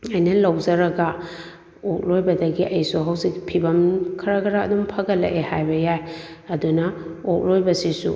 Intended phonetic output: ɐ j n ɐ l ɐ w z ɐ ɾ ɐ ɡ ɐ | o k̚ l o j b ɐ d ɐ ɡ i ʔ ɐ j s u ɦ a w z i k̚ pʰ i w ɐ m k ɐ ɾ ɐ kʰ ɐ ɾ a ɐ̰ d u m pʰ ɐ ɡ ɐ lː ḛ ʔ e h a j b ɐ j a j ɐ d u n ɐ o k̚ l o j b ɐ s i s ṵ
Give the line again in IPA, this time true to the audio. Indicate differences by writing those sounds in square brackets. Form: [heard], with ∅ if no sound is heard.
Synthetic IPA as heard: ɐ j n ɐ l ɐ w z ɐ ɾ ɐ ɡ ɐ | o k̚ l o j b ɐ d ɐ ɡ i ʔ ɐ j s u ɦ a w z i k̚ pʰ i [b] ɐ m [kʰ] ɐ ɾ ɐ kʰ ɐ ɾ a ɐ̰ d u m pʰ ɐ ɡ ɐ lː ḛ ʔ e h a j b ɐ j a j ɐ d u n ɐ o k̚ l o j b ɐ s i s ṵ